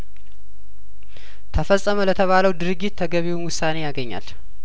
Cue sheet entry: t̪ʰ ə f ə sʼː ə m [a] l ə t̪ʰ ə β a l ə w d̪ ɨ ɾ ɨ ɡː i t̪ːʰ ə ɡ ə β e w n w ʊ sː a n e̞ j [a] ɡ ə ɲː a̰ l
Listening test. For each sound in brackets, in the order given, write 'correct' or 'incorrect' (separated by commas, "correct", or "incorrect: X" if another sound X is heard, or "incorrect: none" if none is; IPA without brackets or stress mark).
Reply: incorrect: ə, correct